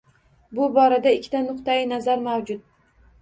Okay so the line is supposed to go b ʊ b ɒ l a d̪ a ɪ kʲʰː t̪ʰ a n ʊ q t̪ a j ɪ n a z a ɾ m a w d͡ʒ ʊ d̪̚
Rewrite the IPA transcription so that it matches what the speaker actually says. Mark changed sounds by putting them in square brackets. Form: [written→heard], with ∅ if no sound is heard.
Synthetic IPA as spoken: b ʊ b ɒ [l→ɾ] a d̪ a ɪ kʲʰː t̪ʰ a n ʊ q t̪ a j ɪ n a z a ɾ m a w d͡ʒ ʊ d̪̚